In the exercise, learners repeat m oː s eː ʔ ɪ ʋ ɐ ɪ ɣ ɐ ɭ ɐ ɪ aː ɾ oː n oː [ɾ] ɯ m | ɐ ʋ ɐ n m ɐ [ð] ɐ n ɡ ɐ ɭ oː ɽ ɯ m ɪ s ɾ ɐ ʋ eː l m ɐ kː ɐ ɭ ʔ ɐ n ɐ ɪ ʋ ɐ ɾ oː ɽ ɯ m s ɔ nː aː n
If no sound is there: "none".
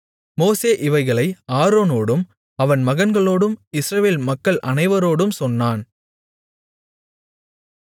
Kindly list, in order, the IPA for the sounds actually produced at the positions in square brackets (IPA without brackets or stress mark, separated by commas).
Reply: ɽ, ɣ